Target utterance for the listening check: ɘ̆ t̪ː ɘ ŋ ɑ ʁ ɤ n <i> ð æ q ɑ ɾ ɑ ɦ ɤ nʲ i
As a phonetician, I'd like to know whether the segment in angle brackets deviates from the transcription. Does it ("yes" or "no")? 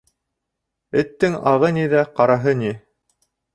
no